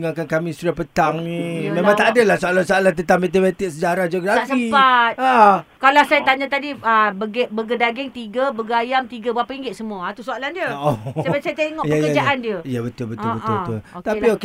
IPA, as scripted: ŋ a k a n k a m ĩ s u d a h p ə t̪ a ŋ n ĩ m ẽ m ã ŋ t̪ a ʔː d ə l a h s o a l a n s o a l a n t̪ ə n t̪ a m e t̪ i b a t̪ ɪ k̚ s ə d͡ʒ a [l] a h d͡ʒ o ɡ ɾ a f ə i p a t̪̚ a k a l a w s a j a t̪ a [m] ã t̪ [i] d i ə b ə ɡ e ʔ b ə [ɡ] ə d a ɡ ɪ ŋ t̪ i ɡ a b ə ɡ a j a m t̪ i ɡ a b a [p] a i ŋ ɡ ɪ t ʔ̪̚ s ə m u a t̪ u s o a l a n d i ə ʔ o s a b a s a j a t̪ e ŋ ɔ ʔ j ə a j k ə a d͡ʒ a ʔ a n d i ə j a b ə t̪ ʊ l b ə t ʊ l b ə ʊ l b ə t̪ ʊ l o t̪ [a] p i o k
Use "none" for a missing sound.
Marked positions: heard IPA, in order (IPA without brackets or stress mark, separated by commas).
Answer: ɾ, ɲ, a, ɡ, p, a